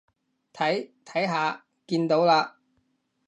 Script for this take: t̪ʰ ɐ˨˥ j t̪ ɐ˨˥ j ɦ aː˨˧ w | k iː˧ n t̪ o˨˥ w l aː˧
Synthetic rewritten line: t̪ʰ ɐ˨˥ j t̪ʰ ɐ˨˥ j ɦ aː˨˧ | k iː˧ n t̪ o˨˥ w l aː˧